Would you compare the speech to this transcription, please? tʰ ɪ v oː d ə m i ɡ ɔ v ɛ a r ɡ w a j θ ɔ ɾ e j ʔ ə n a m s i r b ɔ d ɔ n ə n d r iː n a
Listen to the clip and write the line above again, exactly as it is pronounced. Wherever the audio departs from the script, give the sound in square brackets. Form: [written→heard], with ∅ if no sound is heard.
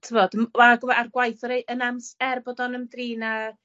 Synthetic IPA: tʰ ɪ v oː d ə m [i→a] ɡ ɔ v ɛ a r ɡ w a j θ ɔ ɾ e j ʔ ə n a m s [i→ɛ] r b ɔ d ɔ n ə [n→m] d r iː n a